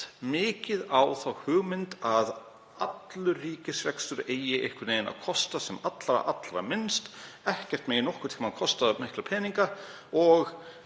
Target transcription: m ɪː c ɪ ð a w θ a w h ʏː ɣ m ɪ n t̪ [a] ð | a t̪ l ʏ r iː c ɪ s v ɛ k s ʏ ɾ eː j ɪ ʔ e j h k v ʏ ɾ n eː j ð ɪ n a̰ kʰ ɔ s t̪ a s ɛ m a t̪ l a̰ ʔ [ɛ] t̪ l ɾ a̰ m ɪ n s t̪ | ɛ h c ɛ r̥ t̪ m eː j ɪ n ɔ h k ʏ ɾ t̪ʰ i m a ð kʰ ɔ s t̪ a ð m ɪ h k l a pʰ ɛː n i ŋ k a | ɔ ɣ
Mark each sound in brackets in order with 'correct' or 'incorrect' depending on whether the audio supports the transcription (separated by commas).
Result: correct, incorrect